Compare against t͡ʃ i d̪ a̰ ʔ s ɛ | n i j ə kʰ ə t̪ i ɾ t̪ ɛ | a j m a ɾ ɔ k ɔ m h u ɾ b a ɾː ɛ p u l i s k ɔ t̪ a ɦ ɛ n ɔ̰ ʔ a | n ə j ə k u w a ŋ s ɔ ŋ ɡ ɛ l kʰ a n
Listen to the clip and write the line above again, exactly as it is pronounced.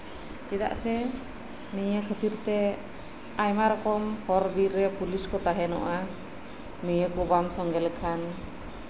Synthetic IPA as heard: t͡ʃ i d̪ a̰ ʔ s ɛ | n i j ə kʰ ə t̪ i ɾ t̪ ɛ | a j m a ɾ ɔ k ɔ m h ɔ ɾ b i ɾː ɛ p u l i s k ɔ t̪ a ɦ ɛ n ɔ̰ ʔ a | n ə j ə k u b a m s ɔ ŋ ɡ ɛ l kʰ a n

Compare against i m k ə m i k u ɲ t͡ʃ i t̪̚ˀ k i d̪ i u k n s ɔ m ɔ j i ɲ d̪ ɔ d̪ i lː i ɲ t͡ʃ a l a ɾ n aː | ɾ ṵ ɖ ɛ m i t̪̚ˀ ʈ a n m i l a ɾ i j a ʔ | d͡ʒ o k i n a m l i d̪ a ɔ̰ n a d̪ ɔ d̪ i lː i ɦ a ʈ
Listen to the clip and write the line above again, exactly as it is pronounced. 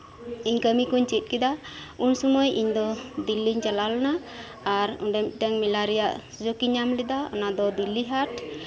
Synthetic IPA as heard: i ɲ k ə m i k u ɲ t͡ʃ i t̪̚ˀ k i d̪ a u n s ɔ m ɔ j i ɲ d̪ ɔ d̪ i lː i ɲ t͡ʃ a l a l n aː | ɾ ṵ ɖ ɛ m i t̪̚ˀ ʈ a ŋ m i l a ɾ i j a ʔ | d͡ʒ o k i ɲ a m l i d̪ a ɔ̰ n a d̪ ɔ d̪ i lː i ɦ a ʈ

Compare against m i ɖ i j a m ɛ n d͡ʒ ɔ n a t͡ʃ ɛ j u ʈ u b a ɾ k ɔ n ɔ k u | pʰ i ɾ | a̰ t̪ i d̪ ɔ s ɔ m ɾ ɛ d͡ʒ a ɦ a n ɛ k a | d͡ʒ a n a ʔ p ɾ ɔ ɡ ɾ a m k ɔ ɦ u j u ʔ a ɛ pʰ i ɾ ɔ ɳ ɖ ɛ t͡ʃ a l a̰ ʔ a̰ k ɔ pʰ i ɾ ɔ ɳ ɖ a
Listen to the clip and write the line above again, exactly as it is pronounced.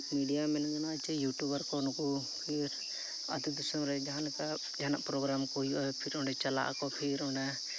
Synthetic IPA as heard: m i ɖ i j a m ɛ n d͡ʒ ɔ n a t͡ʃ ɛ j u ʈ u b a ɾ k ɔ n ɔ k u | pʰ i ɾ | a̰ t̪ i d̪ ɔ s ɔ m ɾ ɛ d͡ʒ a ɦ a n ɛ k a | d͡ʒ a n a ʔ p ɾ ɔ ɡ ɾ a m k ɔ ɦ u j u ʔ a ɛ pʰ i ɾ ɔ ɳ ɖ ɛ t͡ʃ a l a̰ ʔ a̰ k ɔ pʰ i ɾ ɔ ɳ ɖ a

